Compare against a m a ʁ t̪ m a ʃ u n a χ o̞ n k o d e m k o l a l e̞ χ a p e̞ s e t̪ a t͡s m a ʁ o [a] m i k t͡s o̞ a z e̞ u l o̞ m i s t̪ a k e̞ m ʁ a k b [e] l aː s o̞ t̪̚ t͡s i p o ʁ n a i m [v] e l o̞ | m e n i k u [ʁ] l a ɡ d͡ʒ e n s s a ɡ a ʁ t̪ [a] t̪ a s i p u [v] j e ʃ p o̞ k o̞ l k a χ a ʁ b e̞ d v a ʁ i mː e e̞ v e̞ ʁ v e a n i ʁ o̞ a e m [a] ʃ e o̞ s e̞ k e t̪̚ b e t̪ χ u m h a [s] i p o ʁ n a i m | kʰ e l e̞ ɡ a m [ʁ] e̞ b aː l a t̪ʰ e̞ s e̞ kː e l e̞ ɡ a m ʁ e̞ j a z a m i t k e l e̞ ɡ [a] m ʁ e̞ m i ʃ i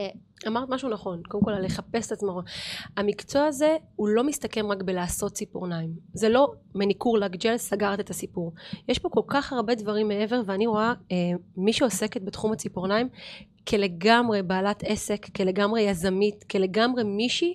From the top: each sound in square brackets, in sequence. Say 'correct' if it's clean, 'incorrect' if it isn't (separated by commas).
correct, correct, incorrect, correct, incorrect, incorrect, incorrect, incorrect, correct, correct